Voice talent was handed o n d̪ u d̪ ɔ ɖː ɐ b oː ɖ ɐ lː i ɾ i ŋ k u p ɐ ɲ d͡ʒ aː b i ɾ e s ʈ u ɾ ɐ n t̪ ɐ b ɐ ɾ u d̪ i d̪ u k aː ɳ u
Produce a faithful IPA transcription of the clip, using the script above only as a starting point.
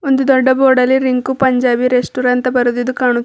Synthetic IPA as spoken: o n d̪ u d̪ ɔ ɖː ɐ b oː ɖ ɐ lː i ɾ i ŋ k u p ɐ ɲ d͡ʒ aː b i ɾ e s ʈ u ɾ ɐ n t̪ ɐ b ɐ ɾ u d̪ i d̪ u k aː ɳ u